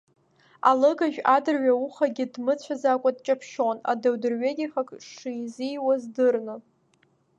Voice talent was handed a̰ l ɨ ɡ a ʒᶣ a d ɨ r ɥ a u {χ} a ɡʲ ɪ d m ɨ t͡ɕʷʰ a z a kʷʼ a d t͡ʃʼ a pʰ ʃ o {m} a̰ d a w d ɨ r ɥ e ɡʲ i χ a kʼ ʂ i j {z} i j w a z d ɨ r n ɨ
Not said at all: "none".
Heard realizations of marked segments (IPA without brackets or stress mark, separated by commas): χ, n, z